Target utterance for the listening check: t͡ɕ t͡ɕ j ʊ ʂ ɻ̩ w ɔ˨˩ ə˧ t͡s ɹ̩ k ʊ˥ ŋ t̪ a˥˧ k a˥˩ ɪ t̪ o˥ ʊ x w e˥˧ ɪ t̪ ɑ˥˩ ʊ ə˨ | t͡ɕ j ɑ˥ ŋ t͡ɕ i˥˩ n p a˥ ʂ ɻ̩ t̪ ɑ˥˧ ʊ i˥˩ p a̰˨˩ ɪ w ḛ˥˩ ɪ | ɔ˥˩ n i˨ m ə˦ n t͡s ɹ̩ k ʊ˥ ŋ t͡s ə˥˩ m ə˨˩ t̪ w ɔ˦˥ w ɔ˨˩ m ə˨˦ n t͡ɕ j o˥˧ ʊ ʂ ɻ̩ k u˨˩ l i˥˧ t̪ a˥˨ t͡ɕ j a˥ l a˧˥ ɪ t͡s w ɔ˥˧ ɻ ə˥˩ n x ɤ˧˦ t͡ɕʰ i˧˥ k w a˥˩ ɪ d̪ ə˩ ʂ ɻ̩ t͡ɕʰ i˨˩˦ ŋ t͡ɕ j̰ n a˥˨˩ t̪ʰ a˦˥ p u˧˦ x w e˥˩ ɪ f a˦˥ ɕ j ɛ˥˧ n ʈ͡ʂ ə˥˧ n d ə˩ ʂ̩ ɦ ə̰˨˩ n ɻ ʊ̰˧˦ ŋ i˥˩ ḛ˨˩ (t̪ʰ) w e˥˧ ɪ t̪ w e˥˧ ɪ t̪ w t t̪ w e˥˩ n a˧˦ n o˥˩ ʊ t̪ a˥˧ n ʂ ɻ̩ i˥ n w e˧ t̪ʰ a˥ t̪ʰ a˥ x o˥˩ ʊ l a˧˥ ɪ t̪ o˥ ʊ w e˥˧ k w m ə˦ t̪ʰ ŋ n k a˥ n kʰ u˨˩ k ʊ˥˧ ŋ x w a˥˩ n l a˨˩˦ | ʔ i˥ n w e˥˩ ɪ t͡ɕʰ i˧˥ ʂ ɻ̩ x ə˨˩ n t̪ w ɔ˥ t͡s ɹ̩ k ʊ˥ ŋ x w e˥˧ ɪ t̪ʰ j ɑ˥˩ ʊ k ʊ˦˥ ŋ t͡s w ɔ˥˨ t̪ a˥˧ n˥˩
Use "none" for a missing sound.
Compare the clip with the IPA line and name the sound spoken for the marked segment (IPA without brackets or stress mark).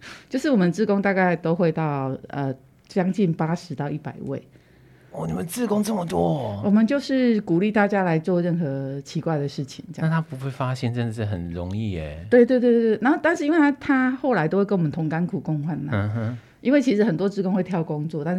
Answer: t̪